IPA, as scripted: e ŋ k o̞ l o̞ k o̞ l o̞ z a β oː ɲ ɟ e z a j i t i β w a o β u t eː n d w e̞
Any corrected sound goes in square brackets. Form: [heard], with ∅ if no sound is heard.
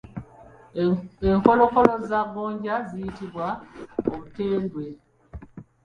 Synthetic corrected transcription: e ŋ k o̞ l o̞ k o̞ l o̞ z a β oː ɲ ɟ [a] z [i] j i t i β w a o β u t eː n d w e̞